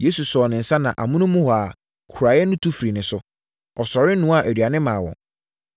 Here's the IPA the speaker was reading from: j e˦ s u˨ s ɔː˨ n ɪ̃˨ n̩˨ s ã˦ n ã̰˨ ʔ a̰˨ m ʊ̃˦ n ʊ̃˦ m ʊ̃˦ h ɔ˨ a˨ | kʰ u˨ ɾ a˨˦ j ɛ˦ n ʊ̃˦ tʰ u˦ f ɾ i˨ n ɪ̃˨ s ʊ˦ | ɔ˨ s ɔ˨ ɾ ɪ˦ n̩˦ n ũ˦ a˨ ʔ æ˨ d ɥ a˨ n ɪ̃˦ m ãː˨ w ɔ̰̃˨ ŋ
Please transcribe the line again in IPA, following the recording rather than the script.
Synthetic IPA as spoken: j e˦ s u˨ s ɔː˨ n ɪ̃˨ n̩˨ s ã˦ n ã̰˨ ʔ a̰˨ m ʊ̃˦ n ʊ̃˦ m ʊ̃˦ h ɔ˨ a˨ | kʰ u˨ ɾ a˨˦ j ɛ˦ n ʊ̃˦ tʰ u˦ f ɾ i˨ n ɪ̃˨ s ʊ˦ | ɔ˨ s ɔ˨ ɾ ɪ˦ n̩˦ n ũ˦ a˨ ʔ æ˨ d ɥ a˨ n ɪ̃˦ m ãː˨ w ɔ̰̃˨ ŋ